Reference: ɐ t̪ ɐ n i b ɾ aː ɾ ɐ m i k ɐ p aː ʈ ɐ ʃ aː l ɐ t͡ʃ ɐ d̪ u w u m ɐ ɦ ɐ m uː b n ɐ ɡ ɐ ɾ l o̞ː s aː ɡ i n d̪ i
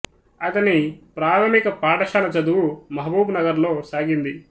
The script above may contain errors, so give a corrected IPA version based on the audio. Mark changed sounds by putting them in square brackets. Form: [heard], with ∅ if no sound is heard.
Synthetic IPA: ɐ t̪ ɐ n i [p] ɾ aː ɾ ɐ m i k ɐ p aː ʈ ɐ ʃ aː l ɐ t͡ʃ ɐ d̪ u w u m ɐ ɦ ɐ [b] uː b n ɐ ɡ ɐ ɾ l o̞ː s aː ɡ i n d̪ i